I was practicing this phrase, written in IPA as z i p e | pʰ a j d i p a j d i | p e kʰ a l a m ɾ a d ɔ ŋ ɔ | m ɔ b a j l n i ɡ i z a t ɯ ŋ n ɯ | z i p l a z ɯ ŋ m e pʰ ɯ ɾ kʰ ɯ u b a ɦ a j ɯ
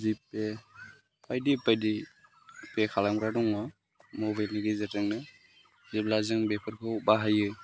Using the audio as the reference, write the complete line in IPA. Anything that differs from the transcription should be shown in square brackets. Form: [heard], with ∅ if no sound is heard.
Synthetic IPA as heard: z i p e | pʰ a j d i p a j d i | p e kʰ a l a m ɾ a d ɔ ŋ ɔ | m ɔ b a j l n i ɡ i z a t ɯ ŋ n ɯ | z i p l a z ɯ ŋ [b] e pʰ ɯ ɾ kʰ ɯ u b a ɦ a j ɯ

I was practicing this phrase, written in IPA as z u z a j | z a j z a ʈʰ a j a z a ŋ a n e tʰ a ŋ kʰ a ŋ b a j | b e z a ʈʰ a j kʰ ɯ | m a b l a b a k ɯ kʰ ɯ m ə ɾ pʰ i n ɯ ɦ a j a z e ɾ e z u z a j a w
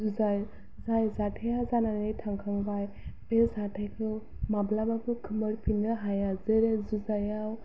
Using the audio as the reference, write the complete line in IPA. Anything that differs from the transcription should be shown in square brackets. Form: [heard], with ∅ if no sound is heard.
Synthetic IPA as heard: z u z a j | z a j z a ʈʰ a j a z a [n] a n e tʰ a ŋ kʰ a ŋ b a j | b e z a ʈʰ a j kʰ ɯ | m a b l a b a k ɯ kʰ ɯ m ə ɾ pʰ i n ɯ ɦ a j a z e ɾ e z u z a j a w

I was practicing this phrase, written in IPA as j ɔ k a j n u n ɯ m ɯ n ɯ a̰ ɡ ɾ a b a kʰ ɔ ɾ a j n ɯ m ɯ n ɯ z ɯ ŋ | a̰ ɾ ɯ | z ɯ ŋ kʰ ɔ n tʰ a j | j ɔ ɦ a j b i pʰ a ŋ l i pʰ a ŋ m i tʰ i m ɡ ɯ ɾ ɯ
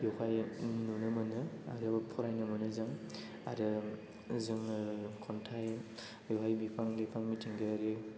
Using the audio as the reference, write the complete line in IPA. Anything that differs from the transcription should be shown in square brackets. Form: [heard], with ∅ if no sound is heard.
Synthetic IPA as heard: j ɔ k a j n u n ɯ m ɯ n ɯ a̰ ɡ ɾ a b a [pʰ] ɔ ɾ a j n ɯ m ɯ n ɯ z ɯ ŋ | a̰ ɾ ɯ | z ɯ ŋ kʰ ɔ n tʰ a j | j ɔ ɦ a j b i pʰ a ŋ l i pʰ a ŋ m i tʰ i [ŋ] ɡ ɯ ɾ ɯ

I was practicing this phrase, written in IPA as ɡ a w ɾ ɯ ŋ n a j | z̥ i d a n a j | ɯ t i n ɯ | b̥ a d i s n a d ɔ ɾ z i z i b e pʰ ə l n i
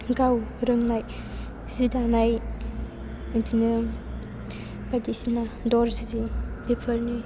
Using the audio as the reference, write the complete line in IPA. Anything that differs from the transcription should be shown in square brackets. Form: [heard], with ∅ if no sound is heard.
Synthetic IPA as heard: ɡ a w ɾ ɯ ŋ n a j | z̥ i d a n a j | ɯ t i n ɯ | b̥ a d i s n a d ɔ ɾ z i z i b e pʰ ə l n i

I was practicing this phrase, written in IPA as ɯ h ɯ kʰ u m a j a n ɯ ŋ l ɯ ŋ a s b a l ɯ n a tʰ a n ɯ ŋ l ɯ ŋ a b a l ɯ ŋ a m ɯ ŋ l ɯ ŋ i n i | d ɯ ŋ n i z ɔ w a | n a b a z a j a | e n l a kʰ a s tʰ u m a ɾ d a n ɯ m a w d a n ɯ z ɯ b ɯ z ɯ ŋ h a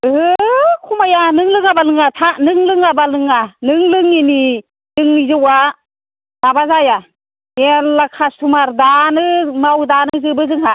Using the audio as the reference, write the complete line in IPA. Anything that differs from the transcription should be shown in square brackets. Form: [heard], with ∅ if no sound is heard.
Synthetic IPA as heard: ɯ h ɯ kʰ u m a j a n ɯ ŋ l ɯ ŋ a [∅] b a l ɯ [ŋ] a tʰ a n ɯ ŋ l ɯ ŋ a b a l ɯ ŋ a [n] ɯ ŋ l ɯ ŋ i n i | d ɯ ŋ n i z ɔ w a | n a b a z a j a | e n l a kʰ a s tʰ u m a ɾ d a n ɯ m a w d a n ɯ z ɯ b ɯ z ɯ ŋ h a

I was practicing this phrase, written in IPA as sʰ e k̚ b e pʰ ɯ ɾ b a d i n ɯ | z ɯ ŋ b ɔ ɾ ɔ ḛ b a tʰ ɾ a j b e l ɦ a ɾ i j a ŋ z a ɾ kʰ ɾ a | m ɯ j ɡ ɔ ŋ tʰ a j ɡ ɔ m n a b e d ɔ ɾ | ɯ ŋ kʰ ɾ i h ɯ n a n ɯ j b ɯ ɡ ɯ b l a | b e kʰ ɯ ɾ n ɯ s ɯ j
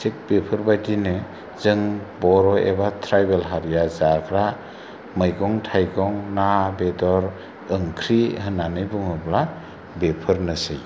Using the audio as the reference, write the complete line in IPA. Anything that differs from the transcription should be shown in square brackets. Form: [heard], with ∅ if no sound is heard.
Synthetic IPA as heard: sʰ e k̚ b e pʰ ɯ ɾ b a d i n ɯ | z ɯ ŋ b ɔ ɾ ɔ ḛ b a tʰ ɾ a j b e l ɦ a ɾ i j a [∅] z a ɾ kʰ ɾ a | m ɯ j ɡ ɔ ŋ tʰ a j ɡ ɔ [ŋ] n a b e d ɔ ɾ | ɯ ŋ kʰ ɾ i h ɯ n a n ɯ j b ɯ [ŋ] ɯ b l a | b e [pʰ] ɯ ɾ n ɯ s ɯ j

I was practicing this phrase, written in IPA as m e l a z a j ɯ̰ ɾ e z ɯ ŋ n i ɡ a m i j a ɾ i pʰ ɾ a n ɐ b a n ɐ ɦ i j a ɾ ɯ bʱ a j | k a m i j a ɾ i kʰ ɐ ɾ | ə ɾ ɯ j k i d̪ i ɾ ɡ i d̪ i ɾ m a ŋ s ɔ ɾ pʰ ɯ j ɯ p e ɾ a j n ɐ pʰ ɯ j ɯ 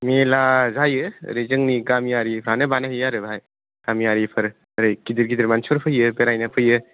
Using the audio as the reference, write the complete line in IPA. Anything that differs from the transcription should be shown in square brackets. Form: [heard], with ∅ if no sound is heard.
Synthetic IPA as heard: m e l a z a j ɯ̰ ɾ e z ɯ ŋ n i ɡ a m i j a ɾ i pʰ ɾ a n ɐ b a n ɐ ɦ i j a ɾ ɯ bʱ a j | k a m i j a ɾ i [pʰ] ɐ ɾ | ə ɾ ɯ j k i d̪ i ɾ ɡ i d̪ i ɾ m a [n] s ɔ ɾ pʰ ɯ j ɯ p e ɾ a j n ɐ pʰ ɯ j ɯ

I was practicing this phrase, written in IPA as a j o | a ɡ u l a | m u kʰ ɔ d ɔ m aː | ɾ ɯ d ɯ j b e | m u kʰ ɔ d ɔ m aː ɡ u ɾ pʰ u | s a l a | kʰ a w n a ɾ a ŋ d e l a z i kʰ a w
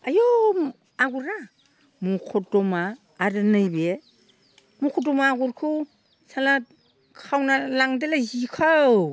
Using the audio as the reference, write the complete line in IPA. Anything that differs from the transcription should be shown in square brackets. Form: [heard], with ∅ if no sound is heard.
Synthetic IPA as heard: a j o | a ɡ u [ɾ] a | m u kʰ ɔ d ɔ m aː | ɾ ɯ [n] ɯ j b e | m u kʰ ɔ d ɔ m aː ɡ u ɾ [kʰ] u | s a l a | kʰ a w n a [l] a ŋ d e l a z i kʰ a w

